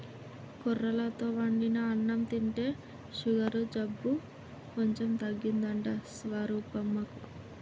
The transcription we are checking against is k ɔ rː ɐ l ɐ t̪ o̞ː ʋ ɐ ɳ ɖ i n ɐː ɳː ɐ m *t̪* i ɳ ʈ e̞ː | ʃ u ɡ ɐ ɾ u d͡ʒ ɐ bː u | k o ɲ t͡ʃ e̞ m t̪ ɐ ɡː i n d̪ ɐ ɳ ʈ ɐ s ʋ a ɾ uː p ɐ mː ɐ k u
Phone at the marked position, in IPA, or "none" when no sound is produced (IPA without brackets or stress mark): t̪